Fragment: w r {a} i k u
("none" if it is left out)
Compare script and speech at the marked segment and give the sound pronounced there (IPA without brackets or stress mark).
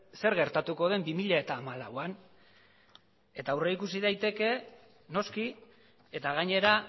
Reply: e